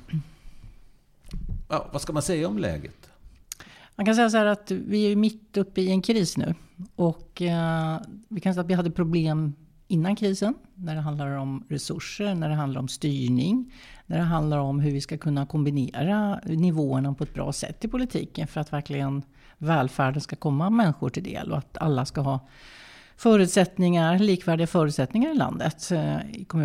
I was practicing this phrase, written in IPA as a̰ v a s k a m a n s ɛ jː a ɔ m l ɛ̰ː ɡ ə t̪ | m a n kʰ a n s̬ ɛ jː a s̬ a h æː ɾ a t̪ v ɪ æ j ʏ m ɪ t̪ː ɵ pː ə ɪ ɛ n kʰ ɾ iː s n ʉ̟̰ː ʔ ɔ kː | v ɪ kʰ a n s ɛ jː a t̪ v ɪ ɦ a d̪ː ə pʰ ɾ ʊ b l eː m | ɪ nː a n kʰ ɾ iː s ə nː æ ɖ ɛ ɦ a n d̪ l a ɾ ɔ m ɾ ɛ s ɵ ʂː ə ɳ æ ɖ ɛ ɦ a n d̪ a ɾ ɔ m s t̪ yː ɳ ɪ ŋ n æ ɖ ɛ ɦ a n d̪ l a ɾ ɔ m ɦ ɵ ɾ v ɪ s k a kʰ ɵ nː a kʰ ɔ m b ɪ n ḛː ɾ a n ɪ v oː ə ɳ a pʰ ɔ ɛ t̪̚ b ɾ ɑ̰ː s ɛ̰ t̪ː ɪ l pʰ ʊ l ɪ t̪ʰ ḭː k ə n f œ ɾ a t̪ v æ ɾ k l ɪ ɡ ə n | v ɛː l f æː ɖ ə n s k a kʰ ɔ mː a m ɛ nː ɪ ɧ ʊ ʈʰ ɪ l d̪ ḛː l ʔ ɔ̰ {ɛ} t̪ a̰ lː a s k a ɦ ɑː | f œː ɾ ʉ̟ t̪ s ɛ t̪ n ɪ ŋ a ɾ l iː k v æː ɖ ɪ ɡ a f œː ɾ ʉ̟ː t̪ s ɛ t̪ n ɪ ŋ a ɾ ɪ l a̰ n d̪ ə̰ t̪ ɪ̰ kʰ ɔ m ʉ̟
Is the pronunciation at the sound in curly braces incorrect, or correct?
incorrect